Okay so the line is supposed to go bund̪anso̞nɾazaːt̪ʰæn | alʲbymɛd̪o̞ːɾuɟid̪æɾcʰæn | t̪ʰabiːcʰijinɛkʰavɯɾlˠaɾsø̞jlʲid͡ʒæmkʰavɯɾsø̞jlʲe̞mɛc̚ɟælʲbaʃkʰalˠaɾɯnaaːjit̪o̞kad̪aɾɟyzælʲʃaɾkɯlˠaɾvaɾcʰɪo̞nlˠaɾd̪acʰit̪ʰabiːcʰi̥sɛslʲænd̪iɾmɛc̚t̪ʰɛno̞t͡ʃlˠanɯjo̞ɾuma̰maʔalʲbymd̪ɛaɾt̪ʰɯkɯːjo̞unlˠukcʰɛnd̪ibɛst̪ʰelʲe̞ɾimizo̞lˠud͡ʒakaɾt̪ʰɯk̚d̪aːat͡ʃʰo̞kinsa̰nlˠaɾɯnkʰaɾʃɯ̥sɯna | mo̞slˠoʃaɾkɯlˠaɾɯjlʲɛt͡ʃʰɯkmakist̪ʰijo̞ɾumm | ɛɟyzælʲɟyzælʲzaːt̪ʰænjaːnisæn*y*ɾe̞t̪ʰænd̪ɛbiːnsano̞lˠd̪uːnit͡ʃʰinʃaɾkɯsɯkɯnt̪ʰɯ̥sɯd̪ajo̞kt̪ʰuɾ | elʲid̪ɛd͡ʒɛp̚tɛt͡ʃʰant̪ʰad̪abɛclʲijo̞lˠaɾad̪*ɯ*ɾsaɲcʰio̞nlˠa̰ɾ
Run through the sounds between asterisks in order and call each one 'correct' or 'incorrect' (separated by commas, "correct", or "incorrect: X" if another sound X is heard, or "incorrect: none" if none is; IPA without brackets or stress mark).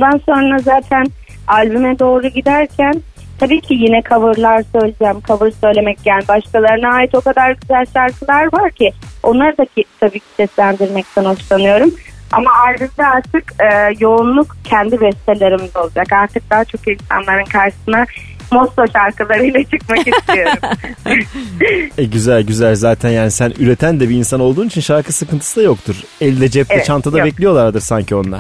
correct, correct